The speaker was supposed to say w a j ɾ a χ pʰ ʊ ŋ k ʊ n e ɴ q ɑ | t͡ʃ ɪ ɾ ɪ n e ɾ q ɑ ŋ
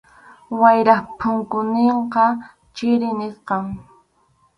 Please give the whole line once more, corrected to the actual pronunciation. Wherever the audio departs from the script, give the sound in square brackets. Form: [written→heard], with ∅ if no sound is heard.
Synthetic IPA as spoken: w a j ɾ a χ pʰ ʊ ŋ k ʊ n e ɴ q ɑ | t͡ʃ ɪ ɾ ɪ n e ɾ q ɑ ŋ